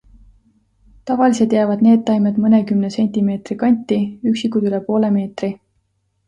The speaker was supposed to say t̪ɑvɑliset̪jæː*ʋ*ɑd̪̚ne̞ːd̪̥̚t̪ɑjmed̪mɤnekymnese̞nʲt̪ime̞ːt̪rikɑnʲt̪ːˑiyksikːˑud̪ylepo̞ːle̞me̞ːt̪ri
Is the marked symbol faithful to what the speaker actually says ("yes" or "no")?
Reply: no